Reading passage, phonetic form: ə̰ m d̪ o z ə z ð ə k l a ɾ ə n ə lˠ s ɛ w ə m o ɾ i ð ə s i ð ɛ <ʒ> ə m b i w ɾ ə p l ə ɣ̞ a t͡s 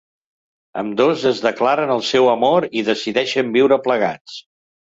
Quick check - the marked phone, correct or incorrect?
incorrect: ʃ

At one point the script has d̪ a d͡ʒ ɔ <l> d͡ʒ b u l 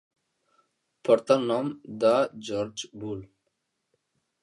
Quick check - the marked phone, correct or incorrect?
incorrect: ɾ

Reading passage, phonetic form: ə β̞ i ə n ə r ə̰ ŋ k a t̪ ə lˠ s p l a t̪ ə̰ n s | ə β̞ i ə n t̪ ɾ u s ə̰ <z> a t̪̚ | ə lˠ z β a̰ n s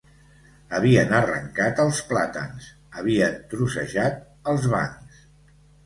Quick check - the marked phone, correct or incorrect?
incorrect: ʒ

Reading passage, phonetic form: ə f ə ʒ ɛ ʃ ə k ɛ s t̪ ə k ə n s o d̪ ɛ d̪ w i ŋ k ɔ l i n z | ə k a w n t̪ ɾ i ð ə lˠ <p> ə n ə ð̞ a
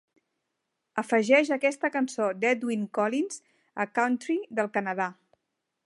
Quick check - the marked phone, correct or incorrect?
incorrect: k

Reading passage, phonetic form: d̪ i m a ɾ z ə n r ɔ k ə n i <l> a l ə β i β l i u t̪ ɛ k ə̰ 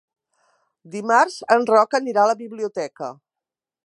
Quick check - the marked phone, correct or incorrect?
incorrect: ɾ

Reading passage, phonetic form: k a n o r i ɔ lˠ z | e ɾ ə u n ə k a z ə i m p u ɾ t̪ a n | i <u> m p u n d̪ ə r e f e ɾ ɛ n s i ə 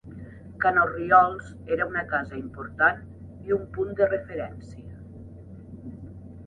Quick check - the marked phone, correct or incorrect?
correct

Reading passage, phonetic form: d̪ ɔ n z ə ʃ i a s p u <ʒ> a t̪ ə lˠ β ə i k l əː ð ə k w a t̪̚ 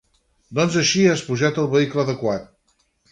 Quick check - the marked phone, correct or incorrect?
correct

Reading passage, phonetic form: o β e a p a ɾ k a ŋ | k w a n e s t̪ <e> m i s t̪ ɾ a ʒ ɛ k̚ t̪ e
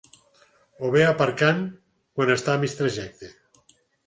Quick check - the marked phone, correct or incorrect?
incorrect: a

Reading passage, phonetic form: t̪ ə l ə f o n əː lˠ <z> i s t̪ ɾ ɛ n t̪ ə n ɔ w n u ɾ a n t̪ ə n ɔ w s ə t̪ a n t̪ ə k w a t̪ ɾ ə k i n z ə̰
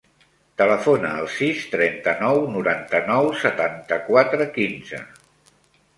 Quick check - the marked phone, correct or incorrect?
incorrect: s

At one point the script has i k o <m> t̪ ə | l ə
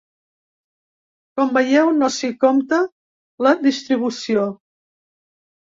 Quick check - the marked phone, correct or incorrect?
correct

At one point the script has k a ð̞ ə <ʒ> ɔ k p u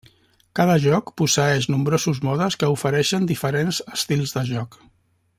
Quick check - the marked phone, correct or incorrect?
correct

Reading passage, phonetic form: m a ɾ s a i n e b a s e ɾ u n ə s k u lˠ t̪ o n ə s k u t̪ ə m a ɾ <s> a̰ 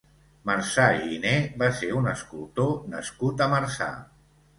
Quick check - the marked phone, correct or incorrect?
correct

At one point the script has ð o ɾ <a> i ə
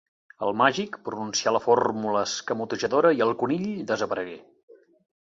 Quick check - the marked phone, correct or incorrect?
incorrect: ə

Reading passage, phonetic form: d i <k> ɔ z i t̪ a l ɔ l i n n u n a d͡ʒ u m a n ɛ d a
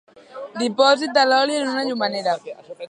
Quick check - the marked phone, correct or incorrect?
incorrect: p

